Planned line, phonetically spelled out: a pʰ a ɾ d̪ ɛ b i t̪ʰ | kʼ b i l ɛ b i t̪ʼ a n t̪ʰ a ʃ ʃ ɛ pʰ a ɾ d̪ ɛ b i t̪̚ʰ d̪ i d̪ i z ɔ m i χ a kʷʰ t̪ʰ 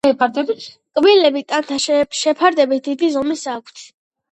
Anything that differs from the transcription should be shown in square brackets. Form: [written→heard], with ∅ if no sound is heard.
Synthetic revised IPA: [a→ɛ] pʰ a ɾ d̪ ɛ b i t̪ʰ | kʼ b i l ɛ b i t̪ʼ a n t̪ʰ a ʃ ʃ ɛ pʰ a ɾ d̪ ɛ b i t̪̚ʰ d̪ i d̪ i z ɔ m i [χ→s] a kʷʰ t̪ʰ